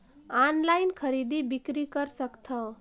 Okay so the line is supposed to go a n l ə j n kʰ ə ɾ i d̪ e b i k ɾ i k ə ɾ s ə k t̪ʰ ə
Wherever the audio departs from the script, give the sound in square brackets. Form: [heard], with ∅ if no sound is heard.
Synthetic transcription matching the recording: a n l [a] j n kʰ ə ɾ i d̪ [i] b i k ɾ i k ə ɾ s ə k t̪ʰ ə